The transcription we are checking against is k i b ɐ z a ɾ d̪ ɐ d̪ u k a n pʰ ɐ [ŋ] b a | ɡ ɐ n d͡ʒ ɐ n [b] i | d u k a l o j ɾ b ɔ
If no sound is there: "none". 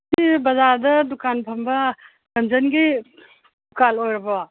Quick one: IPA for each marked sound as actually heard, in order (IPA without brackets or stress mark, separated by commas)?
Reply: m, ɡ